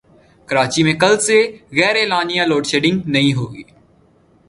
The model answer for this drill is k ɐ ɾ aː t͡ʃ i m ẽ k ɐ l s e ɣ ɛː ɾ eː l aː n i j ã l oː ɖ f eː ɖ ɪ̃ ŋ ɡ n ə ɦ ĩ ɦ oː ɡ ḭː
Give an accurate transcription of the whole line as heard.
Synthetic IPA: k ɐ ɾ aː t͡ʃ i m ẽ k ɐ l s e ɣ ɛː ɾ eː l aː n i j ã l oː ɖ ʃ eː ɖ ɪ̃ ŋ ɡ n ɐ ɦ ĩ ɦ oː ɡ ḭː